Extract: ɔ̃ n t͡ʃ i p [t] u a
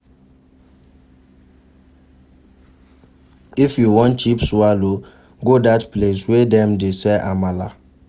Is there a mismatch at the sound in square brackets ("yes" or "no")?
yes